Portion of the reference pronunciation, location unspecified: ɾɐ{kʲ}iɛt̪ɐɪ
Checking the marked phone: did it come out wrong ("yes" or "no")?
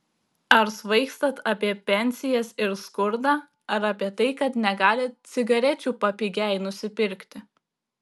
yes